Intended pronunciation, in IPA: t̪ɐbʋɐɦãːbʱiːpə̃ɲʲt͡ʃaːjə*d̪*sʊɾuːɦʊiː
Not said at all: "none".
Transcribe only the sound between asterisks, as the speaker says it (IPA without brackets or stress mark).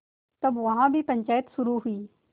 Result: t̪